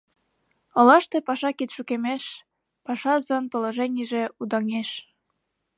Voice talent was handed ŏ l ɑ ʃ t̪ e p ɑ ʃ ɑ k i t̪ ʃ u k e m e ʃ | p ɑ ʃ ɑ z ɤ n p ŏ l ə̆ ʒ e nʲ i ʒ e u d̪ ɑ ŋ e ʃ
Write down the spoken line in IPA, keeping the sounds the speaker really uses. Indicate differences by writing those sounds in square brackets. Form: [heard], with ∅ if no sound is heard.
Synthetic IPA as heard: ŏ l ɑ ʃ t̪ e p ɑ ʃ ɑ k i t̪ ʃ u k e m e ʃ | p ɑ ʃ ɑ z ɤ n p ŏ l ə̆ ʒ e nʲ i ʒ e u d̪ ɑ ŋ e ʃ